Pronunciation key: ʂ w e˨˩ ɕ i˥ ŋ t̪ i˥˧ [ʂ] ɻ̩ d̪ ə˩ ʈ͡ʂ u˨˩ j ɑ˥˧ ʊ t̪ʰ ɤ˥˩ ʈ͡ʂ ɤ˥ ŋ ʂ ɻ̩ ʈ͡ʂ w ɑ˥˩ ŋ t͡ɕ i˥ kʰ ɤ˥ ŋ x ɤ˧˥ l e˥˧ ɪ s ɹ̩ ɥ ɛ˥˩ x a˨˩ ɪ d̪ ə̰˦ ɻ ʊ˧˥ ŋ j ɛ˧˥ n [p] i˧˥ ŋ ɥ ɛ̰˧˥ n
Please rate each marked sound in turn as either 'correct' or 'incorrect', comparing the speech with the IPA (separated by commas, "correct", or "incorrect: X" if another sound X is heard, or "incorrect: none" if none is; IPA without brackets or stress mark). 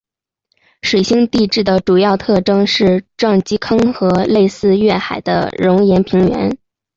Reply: incorrect: ʈ͡ʂ, incorrect: pʰ